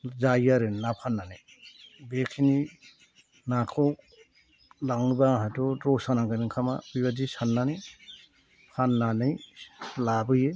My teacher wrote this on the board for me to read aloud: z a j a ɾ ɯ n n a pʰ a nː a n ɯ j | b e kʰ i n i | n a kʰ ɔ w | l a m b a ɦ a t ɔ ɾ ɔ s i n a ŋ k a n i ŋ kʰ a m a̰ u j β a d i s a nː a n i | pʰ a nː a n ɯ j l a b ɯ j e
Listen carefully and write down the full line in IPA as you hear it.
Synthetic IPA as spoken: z a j a ɾ ɯ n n a pʰ a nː a n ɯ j | b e kʰ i n i | n a kʰ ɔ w | l a ŋ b a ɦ a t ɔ ɾ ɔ s a n a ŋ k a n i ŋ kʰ a m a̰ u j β a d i s a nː a n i | pʰ a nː a n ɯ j l a b ɯ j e